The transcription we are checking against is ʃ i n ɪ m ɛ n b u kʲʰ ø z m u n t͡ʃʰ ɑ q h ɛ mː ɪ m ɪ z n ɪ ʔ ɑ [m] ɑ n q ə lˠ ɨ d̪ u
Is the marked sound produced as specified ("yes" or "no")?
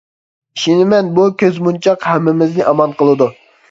yes